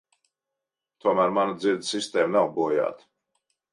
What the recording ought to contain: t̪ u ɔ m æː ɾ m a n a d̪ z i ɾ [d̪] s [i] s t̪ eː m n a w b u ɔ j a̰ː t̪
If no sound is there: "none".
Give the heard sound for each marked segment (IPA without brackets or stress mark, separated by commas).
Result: d̪, i